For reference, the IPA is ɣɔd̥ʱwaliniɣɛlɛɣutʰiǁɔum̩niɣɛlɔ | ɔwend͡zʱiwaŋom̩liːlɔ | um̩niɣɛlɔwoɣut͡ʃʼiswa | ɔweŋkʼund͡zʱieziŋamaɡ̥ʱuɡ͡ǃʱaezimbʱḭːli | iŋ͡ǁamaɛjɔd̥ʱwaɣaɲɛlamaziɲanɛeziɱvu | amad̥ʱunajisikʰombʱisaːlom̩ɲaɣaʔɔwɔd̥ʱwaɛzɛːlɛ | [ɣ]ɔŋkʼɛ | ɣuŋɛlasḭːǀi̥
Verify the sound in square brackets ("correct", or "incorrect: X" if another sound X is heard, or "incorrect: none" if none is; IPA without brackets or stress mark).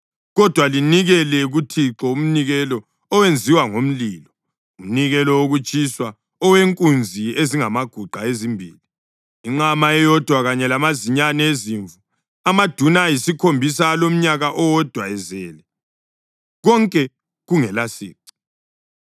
correct